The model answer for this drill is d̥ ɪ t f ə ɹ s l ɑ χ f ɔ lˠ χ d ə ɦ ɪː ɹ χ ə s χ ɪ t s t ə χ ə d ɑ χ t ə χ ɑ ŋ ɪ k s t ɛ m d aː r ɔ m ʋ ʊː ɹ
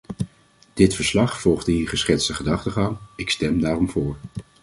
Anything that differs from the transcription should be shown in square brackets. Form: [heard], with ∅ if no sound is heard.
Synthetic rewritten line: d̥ ɪ t f ə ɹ s l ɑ χ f ɔ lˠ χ d ə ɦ [iː] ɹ χ ə s χ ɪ t s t ə χ ə d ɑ χ t ə χ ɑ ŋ ɪ k s t ɛ m d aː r ɔ m [v] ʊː ɹ